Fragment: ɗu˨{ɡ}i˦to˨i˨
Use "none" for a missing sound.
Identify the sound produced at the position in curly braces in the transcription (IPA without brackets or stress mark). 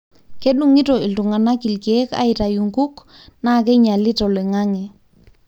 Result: ŋ